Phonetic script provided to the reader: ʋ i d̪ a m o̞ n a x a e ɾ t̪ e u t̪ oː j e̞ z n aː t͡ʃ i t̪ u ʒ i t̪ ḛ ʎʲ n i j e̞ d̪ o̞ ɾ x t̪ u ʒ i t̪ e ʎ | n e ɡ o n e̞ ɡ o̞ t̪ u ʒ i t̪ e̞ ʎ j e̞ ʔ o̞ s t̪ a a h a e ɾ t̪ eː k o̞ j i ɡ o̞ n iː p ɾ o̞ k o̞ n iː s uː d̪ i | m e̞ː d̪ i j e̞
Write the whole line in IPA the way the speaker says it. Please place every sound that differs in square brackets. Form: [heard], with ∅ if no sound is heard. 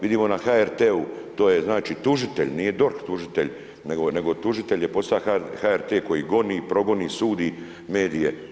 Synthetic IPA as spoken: ʋ i d̪ [i] m o̞ n a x a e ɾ t̪ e u t̪ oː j e̞ z n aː t͡ʃ i t̪ u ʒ i t̪ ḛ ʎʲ n i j e̞ d̪ o̞ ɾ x t̪ u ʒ i t̪ e ʎ | n e ɡ o n e̞ ɡ o̞ t̪ u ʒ i t̪ e̞ ʎ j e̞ [p] o̞ s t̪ a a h a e ɾ t̪ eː k o̞ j i ɡ o̞ n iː p ɾ o̞ [ɡ] o̞ n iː s uː d̪ i | m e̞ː d̪ i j e̞